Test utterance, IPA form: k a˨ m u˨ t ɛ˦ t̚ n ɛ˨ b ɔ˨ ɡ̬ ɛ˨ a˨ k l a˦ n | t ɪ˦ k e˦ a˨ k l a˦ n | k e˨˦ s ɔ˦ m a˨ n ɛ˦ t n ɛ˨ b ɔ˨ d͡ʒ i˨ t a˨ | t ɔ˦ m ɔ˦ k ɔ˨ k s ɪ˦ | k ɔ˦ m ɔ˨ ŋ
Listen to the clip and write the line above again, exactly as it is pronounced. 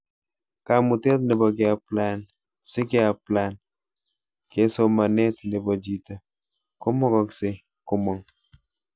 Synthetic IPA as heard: k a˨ m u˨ t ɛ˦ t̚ n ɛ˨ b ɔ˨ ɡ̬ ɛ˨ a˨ p l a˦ n | s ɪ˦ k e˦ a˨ p l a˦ n | k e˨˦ s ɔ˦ m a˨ n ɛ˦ t n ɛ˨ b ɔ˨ d͡ʒ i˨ t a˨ | k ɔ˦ m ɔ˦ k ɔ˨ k s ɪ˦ | k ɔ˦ m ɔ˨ ŋ